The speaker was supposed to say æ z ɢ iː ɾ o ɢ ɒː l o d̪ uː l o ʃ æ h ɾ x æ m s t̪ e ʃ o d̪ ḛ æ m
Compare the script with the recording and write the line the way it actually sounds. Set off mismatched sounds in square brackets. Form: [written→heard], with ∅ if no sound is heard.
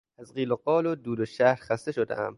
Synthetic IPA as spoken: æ z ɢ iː [ɾ→l] o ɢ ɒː l o d̪ uː l o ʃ æ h ɾ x æ [m→∅] s t̪ e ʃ o d̪ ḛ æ m